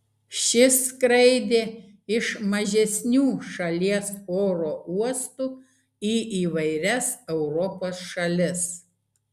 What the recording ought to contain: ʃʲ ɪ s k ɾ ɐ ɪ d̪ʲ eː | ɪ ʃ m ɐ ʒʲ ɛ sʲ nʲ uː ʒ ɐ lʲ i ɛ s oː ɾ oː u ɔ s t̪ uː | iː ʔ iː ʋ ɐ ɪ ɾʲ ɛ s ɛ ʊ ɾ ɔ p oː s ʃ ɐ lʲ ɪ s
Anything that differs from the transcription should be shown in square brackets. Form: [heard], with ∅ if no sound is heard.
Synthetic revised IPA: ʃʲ ɪ s k ɾ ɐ ɪ d̪ʲ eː | ɪ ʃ m ɐ ʒʲ ɛ sʲ nʲ uː [ʃ] ɐ lʲ i ɛ s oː ɾ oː u ɔ s t̪ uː | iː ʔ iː ʋ ɐ ɪ ɾʲ ɛ s ɛ ʊ ɾ ɔ p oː s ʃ ɐ lʲ ɪ s

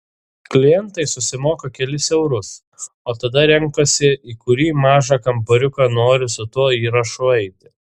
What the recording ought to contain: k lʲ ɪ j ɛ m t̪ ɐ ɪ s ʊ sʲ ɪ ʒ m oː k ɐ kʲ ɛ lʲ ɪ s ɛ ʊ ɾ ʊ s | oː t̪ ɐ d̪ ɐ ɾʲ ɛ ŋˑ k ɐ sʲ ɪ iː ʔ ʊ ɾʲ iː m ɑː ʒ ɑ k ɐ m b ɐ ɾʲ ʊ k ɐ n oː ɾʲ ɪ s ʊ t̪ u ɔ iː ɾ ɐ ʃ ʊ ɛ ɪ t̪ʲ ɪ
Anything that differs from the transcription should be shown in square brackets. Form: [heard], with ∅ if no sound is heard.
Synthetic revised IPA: k lʲ ɪ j ɛ [n] t̪ ɐ ɪ s ʊ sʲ ɪ [∅] m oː k ɐ kʲ ɛ lʲ ɪ s ɛ ʊ ɾ ʊ s | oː t̪ ɐ d̪ ɐ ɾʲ ɛ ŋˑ k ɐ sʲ ɪ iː [k] ʊ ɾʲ iː m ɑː ʒ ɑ k ɐ m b ɐ ɾʲ ʊ k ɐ n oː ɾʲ ɪ s ʊ t̪ u ɔ iː ɾ ɐ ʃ ʊ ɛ ɪ t̪ʲ ɪ

